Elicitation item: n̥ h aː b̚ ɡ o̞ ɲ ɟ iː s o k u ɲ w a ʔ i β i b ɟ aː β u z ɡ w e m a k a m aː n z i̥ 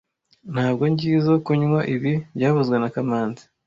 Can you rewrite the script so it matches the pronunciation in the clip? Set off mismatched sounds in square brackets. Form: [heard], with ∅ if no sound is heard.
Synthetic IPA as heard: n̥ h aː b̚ ɡ o̞ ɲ ɟ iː [z] o k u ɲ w a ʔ i β i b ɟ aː β u z ɡ w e [n] a k a m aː n z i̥